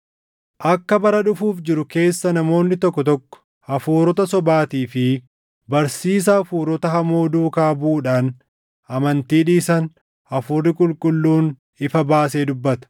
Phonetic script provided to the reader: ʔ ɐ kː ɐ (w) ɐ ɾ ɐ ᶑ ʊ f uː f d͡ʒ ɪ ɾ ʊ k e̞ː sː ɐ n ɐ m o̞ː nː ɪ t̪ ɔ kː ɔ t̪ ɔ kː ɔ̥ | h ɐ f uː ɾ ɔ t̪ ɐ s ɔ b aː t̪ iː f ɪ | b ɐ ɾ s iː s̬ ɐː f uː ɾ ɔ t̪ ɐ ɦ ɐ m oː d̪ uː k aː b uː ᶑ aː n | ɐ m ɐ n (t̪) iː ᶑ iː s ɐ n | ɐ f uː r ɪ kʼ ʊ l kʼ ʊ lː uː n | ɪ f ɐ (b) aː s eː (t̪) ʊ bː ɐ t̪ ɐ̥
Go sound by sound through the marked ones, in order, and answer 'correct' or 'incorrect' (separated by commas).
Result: incorrect, correct, correct, incorrect